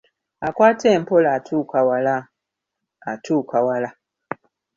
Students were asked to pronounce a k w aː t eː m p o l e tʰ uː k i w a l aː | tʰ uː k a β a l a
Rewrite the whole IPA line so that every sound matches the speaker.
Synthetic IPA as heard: a k w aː t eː m p o l a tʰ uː k a w a l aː | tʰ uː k a w a l a